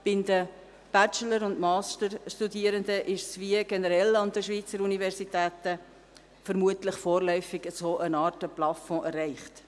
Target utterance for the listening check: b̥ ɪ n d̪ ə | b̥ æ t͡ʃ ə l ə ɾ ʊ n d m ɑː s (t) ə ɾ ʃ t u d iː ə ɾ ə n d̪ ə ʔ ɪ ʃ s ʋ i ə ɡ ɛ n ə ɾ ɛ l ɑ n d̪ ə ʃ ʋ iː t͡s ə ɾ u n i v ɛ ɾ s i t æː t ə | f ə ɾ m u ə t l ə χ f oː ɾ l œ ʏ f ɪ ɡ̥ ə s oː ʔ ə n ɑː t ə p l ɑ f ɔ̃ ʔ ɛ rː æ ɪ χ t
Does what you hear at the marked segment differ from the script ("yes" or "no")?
no